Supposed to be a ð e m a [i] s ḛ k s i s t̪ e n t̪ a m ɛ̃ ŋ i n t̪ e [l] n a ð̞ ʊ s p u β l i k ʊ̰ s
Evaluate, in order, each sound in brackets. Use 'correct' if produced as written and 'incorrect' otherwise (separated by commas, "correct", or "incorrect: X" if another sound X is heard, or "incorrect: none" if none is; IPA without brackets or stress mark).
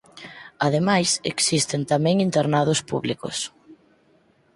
incorrect: j, incorrect: ɾ